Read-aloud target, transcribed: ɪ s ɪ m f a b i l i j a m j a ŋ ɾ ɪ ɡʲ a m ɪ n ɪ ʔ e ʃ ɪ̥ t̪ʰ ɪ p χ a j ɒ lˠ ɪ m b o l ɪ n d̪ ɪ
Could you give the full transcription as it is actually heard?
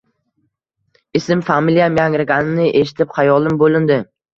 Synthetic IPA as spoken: ɪ s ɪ m f a m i l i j a m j a ŋ ɾ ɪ ɡʲ a n ɪ n ɪ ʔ e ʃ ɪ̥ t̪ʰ ɪ p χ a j ɒ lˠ ɪ m b o l ɪ n d̪ ɪ